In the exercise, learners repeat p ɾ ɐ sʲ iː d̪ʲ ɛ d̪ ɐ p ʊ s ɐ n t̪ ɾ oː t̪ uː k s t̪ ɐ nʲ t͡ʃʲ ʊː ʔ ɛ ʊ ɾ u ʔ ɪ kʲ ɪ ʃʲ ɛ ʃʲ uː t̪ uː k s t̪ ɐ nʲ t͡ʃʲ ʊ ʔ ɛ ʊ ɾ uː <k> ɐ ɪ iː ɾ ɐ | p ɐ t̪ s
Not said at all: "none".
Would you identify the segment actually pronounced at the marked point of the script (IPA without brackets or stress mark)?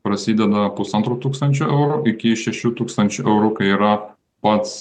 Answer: k